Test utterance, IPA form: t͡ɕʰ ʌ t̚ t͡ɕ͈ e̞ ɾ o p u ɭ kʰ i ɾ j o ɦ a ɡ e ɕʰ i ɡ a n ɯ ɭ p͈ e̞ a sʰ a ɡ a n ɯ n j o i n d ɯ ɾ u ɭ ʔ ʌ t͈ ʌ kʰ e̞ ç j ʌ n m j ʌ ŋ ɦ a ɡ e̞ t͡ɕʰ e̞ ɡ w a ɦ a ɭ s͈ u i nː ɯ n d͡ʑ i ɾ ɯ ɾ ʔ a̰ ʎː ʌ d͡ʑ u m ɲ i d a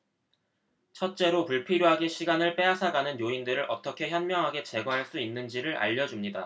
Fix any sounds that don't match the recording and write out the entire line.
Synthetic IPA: t͡ɕʰ ʌ t̚ t͡ɕ͈ e̞ ɾ o p u ɭ pʰ i ɾ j o ɦ a ɡ e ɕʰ i ɡ a n ɯ ɭ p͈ e̞ a sʰ a ɡ a n ɯ n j o i n d ɯ ɾ ɯ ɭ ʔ ʌ t͈ ʌ kʰ e̞ ç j ʌ n m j ʌ ŋ ɦ a ɡ e̞ t͡ɕ e̞ ɡ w a ɦ a ɭ s͈ u i nː ɯ n d͡ʑ i ɾ ɯ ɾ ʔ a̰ ʎː ʌ d͡ʑ u m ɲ i d a

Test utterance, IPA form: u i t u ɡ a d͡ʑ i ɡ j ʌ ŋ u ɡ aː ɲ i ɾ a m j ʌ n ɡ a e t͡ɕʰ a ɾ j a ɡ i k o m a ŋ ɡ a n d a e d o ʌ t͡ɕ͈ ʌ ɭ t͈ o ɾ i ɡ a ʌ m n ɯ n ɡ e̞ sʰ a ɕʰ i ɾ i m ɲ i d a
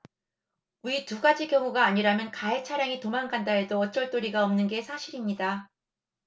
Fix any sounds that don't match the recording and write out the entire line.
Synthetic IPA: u i t u ɡ a d͡ʑ i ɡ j ʌ ŋ u ɡ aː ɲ i ɾ a m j ʌ n k a e t͡ɕʰ a ɾ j a ŋ i t o m a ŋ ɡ a n d a e d o ʌ t͡ɕ͈ ʌ ɭ t͈ o ɾ i ɡ a ʌ m n ɯ n ɡ e̞ sʰ a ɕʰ i ɾ i m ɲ i d a

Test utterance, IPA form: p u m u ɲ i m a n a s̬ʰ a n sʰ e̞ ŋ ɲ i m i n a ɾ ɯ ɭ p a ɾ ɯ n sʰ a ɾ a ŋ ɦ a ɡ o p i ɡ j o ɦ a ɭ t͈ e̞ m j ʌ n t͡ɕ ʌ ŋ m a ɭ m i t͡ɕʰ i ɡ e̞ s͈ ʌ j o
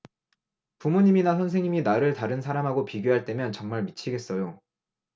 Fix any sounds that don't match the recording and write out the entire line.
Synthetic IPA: p u m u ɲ i m i n a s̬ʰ ʌ n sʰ e̞ ŋ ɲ i m i n a ɾ ɯ ɭ t a ɾ ɯ n sʰ a ɾ a m ɦ a ɡ o p i ɡ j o ɦ a ɭ t͈ e̞ m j ʌ n t͡ɕ ʌ ŋ m a ɭ m i t͡ɕʰ i ɡ e̞ s͈ ʌ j o

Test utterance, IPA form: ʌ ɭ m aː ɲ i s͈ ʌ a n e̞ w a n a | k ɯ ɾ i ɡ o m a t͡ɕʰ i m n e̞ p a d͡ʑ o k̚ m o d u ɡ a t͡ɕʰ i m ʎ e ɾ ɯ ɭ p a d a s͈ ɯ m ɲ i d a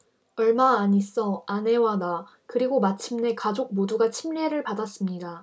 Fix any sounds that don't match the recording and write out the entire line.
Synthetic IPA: ʌ ɭ m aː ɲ i s͈ ʌ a n e̞ w a n a | k ɯ ɾ i ɡ o m a t͡ɕʰ i m n e̞ k a d͡ʑ o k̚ m o d u ɡ a t͡ɕʰ i m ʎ e ɾ ɯ ɭ p a d a s͈ ɯ m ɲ i d a

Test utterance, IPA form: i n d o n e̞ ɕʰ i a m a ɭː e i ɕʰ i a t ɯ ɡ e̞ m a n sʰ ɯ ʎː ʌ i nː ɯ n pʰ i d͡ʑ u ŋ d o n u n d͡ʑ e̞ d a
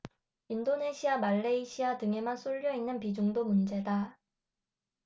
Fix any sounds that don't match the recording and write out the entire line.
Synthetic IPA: i n d o n e̞ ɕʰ i a m a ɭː e i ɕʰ i a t ɯ ŋ e̞ m a n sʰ u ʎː ʌ i nː ɯ n p i d͡ʑ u ŋ d o m u n d͡ʑ e̞ d a

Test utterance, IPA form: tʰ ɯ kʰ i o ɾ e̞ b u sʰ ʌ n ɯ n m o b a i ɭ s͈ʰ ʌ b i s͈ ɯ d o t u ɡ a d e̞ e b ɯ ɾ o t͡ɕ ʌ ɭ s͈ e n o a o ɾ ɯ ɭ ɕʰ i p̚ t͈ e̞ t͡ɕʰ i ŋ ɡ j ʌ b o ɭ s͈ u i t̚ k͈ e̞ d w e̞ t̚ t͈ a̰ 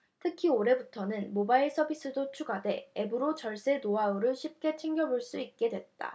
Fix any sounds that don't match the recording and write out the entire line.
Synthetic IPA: tʰ ɯ kʰ i o ɾ e̞ b u tʰ ʌ n ɯ n m o b a i ɭ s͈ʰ ʌ b i s͈ ɯ d o t͡ɕʰ u ɡ a d e̞ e b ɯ ɾ o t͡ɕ ʌ ɭ s͈ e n o a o ɾ ɯ ɭ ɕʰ i p̚ k͈ e̞ t͡ɕʰ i ŋ ɡ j ʌ b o ɭ s͈ u i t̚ k͈ e̞ d w e̞ t̚ t͈ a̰

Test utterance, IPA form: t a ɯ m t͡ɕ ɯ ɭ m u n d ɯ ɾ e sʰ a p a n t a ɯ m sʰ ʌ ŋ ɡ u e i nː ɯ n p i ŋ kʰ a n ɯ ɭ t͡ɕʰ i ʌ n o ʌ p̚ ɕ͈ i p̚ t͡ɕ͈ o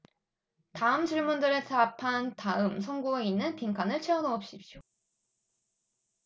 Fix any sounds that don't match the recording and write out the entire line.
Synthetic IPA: t a ɯ m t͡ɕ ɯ ɭ m u n d ɯ ɾ e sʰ a pʰ a n t a ɯ m sʰ ʌ ŋ ɡ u e i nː ɯ n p i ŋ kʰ a n ɯ ɭ t͡ɕʰ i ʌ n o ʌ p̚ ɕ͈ i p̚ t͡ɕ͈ o

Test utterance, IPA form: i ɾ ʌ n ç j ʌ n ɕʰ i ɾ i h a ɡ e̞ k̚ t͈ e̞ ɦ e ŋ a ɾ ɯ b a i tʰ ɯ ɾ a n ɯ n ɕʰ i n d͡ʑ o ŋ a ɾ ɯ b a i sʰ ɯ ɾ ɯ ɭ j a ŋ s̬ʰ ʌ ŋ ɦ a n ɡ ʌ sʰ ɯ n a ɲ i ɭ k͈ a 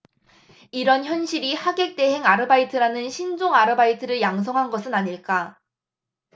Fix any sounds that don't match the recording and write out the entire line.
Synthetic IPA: i ɾ ʌ n ç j ʌ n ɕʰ i ɾ i h a ɡ e̞ k̚ t͈ e̞ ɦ e ŋ a ɾ ɯ b a i tʰ ɯ ɾ a n ɯ n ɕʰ i n d͡ʑ o ŋ a ɾ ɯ b a i tʰ ɯ ɾ ɯ ɭ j a ŋ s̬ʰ ʌ ŋ ɦ a n ɡ ʌ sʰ ɯ n a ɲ i ɭ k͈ a

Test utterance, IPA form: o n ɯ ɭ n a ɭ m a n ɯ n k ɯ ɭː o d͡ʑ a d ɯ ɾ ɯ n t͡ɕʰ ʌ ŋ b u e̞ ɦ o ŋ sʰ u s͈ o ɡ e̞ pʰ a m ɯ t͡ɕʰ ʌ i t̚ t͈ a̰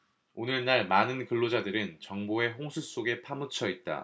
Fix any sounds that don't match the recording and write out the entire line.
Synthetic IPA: o n ɯ ɭ n a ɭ m a n ɯ n k ɯ ɭː o d͡ʑ a d ɯ ɾ ɯ n t͡ɕ ʌ ŋ b o e̞ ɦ o ŋ sʰ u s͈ o ɡ e̞ pʰ a m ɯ t͡ɕʰ ʌ i t̚ t͈ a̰

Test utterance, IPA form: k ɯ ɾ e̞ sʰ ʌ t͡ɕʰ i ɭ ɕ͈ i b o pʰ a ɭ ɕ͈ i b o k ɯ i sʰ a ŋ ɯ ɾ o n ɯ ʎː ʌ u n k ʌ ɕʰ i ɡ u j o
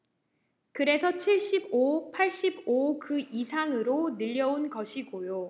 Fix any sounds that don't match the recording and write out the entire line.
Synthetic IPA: k ɯ ɾ e̞ sʰ ʌ t͡ɕʰ i ɭ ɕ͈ i b o pʰ a ɭ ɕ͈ i b o k ɯ i sʰ a ŋ ɯ ɾ o n ɯ ʎː ʌ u n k ʌ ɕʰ i ɡ o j o

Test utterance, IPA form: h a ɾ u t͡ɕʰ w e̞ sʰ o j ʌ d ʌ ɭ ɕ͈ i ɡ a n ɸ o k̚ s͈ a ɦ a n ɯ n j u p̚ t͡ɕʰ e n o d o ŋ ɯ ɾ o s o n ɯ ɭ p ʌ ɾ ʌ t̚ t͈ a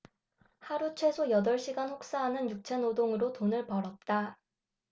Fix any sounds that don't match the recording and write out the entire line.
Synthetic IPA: h a ɾ u t͡ɕʰ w e̞ sʰ o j ʌ d ʌ ɭ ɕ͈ i ɡ a n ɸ o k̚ s͈ a ɦ a n ɯ n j u k̚ t͡ɕʰ e n o d o ŋ ɯ ɾ o t o n ɯ ɭ p ʌ ɾ ʌ t̚ t͈ a

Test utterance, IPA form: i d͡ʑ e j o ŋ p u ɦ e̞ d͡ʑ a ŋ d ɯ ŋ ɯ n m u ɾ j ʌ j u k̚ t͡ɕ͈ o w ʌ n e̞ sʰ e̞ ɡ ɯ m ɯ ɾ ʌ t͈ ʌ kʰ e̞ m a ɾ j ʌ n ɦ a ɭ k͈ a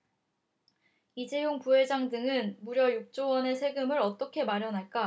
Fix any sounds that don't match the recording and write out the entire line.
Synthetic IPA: i d͡ʑ e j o ŋ p u ɦ e̞ d͡ʑ a ŋ d ɯ ŋ ɯ n m u ɾ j ʌ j u k̚ t͡ɕ͈ o w ʌ n e̞ sʰ e̞ ɡ ɯ m ɯ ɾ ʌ t͈ ʌ kʰ e̞ m a ɾ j ʌ n ɦ a ɭ k͈ a

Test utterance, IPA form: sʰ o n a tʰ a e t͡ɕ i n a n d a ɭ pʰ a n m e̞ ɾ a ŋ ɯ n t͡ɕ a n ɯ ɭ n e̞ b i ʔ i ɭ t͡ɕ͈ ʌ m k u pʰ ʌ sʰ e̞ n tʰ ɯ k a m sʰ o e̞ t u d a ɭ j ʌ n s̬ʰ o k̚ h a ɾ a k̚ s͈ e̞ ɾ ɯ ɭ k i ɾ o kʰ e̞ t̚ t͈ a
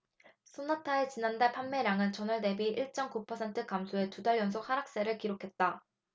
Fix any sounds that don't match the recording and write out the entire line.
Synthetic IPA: sʰ o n a tʰ a e t͡ɕ i n a n d a ɭ pʰ a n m e̞ ɾ a ŋ ɯ n t͡ɕ ʌ n ɯ ɭ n e̞ b i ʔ i ɭ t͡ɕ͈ ʌ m k u pʰ ʌ sʰ e̞ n tʰ ɯ k a m sʰ o e̞ t u d a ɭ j ʌ n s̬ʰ o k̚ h a ɾ a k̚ s͈ e̞ ɾ ɯ ɭ k i ɾ o kʰ e̞ t̚ t͈ a

